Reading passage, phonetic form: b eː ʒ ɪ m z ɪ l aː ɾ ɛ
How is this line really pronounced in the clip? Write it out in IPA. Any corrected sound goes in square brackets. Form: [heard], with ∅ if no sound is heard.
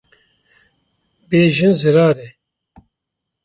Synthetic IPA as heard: b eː ʒ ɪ [n] z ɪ [ɾ] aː ɾ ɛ